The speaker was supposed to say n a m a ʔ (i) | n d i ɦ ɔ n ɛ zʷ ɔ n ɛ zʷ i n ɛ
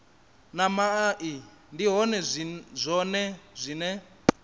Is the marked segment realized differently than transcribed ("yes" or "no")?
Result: no